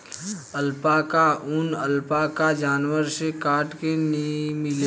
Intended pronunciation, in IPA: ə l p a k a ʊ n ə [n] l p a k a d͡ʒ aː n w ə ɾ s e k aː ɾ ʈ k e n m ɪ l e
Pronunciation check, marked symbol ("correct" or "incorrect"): incorrect